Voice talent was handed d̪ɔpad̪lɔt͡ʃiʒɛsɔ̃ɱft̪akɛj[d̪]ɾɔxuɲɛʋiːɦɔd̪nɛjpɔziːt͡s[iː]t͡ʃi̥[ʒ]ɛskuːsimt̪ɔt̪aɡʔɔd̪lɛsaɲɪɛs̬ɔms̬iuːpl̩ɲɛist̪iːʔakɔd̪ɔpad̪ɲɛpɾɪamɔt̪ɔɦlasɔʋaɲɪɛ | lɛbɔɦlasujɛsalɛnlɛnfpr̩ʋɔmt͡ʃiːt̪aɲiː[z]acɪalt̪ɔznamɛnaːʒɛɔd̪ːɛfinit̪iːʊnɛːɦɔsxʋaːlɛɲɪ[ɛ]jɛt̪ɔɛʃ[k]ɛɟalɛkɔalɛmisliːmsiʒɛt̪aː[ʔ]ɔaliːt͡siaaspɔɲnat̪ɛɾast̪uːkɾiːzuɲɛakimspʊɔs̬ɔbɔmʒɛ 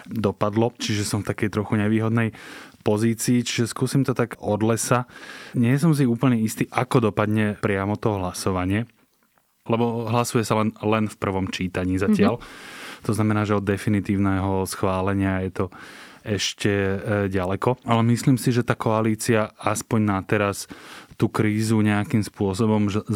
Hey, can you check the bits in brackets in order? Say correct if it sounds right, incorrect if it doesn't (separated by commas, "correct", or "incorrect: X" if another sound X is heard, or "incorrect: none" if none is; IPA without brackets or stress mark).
incorrect: t̪, correct, correct, correct, incorrect: a, incorrect: c, incorrect: k